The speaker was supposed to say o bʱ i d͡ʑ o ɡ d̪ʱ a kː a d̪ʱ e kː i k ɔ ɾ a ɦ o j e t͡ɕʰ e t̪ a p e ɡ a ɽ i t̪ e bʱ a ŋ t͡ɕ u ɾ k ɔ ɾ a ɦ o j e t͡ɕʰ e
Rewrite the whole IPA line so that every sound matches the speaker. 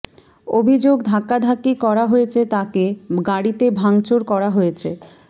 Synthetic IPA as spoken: o bʱ i d͡ʑ o ɡ d̪ʱ a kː a d̪ʱ a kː i k ɔ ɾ a ɦ o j e t͡ɕʰ e t̪ a k e ɡ a ɽ i t̪ e bʱ a ŋ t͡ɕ o ɾ k ɔ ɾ a ɦ o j e t͡ɕʰ e